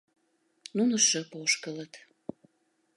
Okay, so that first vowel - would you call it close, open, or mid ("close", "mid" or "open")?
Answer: close